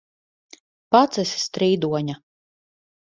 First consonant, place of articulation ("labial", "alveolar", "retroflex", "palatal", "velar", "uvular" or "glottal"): labial